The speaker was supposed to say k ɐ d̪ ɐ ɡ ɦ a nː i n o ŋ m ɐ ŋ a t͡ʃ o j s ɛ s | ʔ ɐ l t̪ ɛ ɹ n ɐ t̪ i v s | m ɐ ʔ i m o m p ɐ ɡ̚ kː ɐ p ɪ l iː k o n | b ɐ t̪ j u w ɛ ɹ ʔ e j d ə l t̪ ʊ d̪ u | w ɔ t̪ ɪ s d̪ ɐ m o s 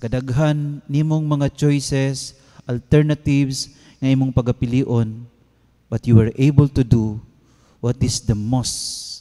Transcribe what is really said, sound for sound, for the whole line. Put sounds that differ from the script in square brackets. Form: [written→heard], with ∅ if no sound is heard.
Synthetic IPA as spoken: k ɐ d̪ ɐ ɡ ɦ a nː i [n→m] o ŋ m ɐ ŋ a t͡ʃ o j s ɛ s | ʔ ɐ l t̪ ɛ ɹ n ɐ t̪ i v s | [m→ŋ] ɐ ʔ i m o [m→ŋ] p ɐ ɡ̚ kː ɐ p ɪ l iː [k→ʔ] o n | b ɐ t̪ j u w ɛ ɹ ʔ e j [d→b] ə l t̪ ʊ d̪ u | w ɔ t̪ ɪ s d̪ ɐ m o s

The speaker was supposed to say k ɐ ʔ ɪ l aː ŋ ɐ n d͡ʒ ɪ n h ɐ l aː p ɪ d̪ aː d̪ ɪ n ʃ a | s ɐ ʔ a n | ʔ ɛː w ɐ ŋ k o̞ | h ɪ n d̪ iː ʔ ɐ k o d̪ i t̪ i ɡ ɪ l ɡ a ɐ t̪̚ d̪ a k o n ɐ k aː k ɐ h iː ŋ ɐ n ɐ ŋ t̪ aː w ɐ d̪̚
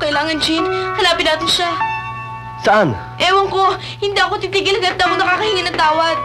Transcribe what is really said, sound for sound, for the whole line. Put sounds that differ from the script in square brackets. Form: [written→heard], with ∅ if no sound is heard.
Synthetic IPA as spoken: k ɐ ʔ ɪ l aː ŋ ɐ n d͡ʒ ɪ n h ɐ l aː p ɪ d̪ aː [d̪→t̪] ɪ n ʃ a | s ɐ ʔ a n | ʔ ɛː w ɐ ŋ k o̞ | h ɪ n d̪ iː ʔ ɐ k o [d̪→t̪] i t̪ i ɡ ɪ l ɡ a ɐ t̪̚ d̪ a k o n ɐ k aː k ɐ h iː ŋ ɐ n ɐ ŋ t̪ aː w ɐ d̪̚

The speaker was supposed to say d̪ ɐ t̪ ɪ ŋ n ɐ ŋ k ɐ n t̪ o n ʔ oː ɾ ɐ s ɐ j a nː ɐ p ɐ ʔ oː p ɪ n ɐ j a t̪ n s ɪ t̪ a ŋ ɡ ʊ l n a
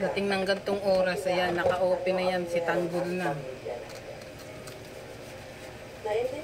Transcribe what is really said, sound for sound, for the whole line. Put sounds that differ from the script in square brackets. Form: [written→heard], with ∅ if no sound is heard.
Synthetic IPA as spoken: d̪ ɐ t̪ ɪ ŋ n ɐ ŋ [k→ɡ] ɐ n t̪ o [n→ŋ] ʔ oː ɾ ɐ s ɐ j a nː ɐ [p→k] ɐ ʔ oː p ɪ n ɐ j a [t̪→∅] n s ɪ t̪ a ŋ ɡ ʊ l n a

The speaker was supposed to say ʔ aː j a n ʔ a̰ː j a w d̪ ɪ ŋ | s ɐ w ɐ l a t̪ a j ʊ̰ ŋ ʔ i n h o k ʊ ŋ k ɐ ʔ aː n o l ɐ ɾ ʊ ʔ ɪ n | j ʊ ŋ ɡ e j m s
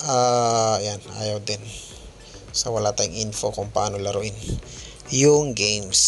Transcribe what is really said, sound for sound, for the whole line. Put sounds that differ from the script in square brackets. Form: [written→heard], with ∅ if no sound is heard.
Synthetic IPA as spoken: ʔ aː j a n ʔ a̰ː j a w d̪ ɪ [ŋ→n] | s ɐ w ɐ l a t̪ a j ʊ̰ ŋ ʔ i n [h→f] o k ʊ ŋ [k→p] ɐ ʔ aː n o l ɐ ɾ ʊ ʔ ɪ n | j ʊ ŋ ɡ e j m s

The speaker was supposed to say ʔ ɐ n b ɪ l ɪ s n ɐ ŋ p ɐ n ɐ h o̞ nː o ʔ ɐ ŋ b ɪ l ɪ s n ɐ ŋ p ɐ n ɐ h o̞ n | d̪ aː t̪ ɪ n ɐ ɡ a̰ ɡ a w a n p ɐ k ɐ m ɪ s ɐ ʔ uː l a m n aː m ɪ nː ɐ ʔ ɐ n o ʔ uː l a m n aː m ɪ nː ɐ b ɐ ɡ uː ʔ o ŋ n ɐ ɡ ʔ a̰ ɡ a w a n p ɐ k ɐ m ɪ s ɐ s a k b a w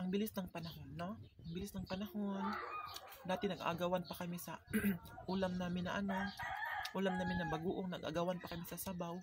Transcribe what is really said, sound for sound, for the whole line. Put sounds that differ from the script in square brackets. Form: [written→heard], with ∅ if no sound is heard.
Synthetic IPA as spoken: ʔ ɐ [n→ŋ] b ɪ l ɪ s n ɐ ŋ p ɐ n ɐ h o̞ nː o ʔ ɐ ŋ b ɪ l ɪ s n ɐ ŋ p ɐ n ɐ h o̞ n | d̪ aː t̪ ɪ n ɐ ɡ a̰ ɡ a w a n p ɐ k ɐ m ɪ s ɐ ʔ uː l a m n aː m ɪ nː ɐ ʔ ɐ n o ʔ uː l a m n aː m ɪ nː ɐ b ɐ ɡ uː ʔ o ŋ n ɐ ɡ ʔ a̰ ɡ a w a n p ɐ k ɐ m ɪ s ɐ s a [k→∅] b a w

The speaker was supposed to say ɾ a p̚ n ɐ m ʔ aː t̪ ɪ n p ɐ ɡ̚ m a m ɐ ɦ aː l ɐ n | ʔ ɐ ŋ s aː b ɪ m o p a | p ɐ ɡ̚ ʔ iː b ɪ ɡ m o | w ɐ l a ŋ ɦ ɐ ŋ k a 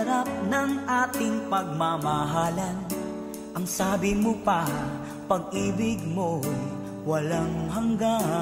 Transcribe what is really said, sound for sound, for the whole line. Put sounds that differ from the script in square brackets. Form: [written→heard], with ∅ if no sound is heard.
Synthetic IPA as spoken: ɾ a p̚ n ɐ [m→ŋ] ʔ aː t̪ ɪ [n→ŋ] p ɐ ɡ̚ m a m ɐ ɦ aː l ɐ n | ʔ ɐ ŋ s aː b ɪ m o p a | p ɐ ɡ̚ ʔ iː b ɪ ɡ m o | w ɐ l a ŋ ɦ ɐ ŋ [k→ɡ] a

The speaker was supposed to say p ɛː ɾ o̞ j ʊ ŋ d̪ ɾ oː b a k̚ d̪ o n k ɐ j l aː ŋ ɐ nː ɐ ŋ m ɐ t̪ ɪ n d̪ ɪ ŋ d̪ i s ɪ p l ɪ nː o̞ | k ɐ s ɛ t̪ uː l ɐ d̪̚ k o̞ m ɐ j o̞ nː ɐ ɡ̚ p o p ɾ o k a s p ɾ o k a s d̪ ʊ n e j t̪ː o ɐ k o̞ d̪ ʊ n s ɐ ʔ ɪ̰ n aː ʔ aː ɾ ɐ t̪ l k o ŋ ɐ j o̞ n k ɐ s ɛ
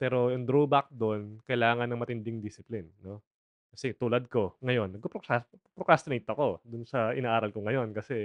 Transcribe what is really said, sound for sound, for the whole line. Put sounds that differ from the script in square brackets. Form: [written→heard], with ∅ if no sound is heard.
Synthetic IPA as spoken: p ɛː ɾ o̞ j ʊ ŋ d̪ ɾ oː b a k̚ d̪ o n k ɐ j l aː ŋ ɐ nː ɐ ŋ m ɐ t̪ ɪ n d̪ ɪ ŋ d̪ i s ɪ p l ɪ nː o̞ | k ɐ s ɛ t̪ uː l ɐ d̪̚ k o̞ [m→ŋ] ɐ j o̞ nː ɐ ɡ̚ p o p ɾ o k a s p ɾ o k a s [d̪→t̪] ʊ n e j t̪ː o ɐ k o̞ d̪ ʊ n s ɐ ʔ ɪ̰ n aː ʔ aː ɾ ɐ [t̪→∅] l k o ŋ ɐ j o̞ n k ɐ s ɛ

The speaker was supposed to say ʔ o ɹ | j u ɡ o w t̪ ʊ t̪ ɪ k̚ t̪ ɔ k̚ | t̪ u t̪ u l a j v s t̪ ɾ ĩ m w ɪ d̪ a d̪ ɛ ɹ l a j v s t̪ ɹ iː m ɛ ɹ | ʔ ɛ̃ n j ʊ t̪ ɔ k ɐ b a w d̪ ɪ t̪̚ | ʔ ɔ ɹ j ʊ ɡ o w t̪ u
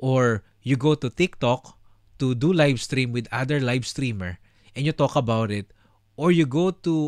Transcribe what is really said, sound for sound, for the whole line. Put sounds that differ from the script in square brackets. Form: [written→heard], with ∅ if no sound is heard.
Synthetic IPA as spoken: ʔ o ɹ | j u ɡ o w t̪ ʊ t̪ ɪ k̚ t̪ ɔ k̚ | t̪ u [t̪→d̪] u l a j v s t̪ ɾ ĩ m w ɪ d̪ a d̪ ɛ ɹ l a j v s t̪ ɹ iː m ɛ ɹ | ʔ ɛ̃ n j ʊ t̪ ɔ k ɐ b a w [d̪→t̪] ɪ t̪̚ | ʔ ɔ ɹ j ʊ ɡ o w t̪ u

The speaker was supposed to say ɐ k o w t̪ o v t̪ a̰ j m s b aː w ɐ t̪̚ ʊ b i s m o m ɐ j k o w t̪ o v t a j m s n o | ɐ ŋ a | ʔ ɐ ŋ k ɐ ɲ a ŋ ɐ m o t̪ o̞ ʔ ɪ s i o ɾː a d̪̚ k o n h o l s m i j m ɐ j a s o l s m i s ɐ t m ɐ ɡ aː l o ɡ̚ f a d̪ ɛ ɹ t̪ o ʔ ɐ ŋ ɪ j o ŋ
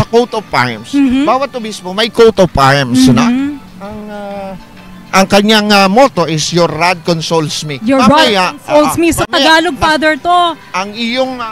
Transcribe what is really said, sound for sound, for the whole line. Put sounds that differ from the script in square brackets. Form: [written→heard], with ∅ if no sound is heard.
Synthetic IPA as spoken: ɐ k o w t̪ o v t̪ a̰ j m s b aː w ɐ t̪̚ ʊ b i s m o m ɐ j k o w t̪ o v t a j m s n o | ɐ ŋ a | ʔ ɐ ŋ k ɐ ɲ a ŋ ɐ m o t̪ o̞ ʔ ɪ s [i→j] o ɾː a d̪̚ k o n [h→s] o l s m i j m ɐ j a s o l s m i s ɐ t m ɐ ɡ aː l o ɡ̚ f a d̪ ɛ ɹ t̪ o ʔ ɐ ŋ ɪ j o ŋ

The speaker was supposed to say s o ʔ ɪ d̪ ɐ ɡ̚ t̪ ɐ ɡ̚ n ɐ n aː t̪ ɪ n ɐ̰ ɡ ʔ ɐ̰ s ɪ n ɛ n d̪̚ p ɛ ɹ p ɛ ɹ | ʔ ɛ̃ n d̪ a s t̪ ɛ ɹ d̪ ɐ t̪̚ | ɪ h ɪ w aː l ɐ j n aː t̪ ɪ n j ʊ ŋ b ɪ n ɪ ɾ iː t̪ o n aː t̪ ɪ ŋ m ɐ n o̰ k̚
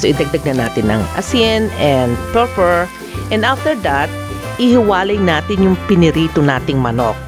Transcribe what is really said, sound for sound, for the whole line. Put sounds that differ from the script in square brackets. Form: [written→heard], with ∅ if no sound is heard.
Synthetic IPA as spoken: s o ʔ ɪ d̪ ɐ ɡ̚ [t̪→d̪] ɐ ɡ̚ n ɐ n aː t̪ ɪ n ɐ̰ [ɡ→ŋ] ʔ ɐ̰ s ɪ n ɛ n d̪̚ p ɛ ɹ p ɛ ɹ | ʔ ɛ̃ n d̪ a [s→f] t̪ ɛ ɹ d̪ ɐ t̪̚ | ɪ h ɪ w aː l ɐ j n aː t̪ ɪ n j ʊ ŋ [b→p] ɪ n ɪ ɾ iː t̪ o n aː t̪ ɪ ŋ m ɐ n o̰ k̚

